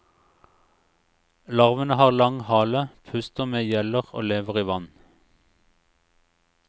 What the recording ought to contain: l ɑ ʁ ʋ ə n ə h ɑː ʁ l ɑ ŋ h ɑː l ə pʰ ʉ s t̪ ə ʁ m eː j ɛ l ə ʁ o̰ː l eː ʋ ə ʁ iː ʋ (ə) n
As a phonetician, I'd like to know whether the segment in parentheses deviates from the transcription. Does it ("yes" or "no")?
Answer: yes